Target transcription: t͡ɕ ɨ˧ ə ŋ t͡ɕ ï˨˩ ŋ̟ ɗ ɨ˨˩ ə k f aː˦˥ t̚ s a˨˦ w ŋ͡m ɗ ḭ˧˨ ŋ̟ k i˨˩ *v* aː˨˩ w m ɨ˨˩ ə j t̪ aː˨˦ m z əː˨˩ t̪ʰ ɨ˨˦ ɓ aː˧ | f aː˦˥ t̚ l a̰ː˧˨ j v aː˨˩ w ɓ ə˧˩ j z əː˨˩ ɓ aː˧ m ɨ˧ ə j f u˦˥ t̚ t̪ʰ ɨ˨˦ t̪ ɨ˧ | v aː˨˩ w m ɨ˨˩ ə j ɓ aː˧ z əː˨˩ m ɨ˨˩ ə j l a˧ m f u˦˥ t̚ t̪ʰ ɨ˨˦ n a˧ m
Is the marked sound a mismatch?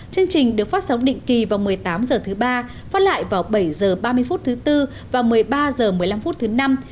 no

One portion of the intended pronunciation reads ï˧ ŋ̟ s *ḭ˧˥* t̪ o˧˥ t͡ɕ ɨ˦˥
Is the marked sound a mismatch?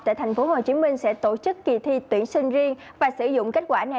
yes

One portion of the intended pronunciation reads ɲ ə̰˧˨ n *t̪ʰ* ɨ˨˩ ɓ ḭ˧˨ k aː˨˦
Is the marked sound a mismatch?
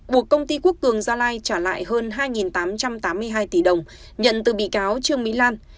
yes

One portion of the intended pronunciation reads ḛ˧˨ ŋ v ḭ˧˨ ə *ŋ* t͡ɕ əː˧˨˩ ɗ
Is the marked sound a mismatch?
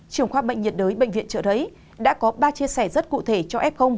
yes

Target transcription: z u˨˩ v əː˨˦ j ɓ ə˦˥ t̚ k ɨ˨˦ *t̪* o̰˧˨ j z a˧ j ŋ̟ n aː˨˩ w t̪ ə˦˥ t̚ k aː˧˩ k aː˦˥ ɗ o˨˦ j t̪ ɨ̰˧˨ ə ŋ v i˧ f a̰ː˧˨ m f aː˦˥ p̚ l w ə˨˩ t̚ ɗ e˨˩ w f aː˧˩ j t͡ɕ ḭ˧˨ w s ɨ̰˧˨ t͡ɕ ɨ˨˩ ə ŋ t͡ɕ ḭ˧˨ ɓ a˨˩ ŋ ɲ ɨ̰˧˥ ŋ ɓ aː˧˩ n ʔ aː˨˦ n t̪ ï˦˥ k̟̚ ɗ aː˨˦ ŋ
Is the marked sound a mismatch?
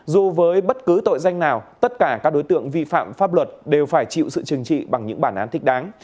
no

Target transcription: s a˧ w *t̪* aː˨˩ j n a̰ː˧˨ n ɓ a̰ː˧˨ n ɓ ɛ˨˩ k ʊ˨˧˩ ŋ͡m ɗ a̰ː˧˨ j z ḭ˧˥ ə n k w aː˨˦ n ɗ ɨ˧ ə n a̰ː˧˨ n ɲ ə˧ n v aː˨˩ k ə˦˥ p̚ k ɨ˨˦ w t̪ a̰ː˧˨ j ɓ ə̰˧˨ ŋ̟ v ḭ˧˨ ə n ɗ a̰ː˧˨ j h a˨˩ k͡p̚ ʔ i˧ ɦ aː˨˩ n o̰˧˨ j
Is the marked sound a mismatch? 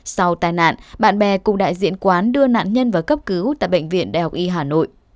no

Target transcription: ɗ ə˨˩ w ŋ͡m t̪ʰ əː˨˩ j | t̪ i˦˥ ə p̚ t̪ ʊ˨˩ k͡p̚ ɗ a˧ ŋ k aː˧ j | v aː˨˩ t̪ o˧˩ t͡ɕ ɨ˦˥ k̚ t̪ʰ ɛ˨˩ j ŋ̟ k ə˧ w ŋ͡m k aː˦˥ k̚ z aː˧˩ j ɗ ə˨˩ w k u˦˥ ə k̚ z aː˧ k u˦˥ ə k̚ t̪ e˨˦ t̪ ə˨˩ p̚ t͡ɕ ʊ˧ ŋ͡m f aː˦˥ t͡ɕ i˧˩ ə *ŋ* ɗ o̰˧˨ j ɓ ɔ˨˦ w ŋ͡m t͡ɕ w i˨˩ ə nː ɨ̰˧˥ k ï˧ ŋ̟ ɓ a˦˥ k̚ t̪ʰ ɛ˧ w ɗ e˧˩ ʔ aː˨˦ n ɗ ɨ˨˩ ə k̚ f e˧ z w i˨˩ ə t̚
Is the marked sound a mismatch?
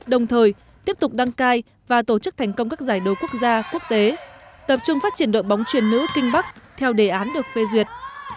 yes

